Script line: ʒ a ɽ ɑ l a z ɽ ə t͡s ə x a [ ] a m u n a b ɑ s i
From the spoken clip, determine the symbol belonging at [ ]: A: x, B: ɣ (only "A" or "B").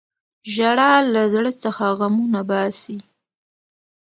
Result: B